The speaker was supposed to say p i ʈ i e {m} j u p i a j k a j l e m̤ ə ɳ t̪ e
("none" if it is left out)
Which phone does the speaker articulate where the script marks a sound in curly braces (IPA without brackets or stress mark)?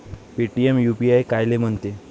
m